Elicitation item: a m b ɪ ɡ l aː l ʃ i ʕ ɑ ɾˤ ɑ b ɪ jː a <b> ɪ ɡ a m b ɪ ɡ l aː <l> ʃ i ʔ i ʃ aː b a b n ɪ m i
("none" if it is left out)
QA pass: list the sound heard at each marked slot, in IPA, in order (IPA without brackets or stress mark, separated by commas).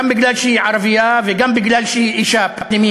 v, l